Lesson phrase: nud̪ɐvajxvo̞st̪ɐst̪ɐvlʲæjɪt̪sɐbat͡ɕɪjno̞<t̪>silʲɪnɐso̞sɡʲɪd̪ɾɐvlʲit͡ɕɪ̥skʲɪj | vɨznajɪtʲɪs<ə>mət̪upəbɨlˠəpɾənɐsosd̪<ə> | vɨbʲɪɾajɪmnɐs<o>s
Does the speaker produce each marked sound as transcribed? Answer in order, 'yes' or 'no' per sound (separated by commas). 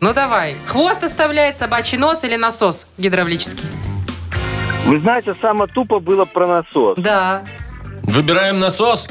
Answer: no, no, no, yes